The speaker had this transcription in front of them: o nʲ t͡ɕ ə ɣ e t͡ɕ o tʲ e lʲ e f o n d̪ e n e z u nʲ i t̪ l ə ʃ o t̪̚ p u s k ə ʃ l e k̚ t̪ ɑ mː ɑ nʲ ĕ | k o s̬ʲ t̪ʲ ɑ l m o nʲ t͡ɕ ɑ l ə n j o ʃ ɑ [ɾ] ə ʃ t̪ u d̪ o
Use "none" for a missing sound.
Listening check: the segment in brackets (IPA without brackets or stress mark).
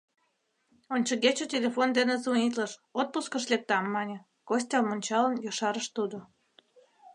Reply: ɾ